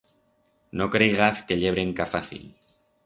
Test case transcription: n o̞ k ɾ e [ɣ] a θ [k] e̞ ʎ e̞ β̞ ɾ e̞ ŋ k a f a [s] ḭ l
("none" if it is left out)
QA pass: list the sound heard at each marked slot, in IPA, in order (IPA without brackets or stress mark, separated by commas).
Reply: ɣ, k, θ